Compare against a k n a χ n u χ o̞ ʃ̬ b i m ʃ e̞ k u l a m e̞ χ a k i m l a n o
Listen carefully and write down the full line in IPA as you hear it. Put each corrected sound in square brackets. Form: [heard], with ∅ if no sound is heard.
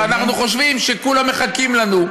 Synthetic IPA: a [∅] n a χ n u χ o̞ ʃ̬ [v] i m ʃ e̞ k u l a m e̞ χ a k i m l a n [u]